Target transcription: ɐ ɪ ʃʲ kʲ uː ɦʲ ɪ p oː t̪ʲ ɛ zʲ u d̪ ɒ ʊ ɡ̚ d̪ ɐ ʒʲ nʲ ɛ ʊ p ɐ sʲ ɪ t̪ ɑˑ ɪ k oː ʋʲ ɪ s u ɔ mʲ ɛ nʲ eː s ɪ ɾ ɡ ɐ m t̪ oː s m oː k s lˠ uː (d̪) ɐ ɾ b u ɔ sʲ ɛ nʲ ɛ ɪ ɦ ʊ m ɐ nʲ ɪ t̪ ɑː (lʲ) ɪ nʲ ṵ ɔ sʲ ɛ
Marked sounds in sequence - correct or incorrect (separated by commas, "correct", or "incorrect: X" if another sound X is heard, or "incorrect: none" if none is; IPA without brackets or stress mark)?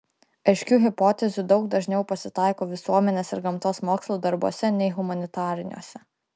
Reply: correct, incorrect: ɾʲ